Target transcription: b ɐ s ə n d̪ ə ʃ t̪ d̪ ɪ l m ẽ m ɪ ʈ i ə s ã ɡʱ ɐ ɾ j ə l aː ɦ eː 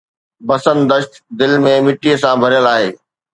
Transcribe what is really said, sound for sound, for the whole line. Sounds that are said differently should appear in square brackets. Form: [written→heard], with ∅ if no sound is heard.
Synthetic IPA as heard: b ɐ s ə n d̪ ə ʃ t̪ d̪ ɪ l m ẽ m ɪ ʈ i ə s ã [ɡʱ→bʱ] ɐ ɾ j ə l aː ɦ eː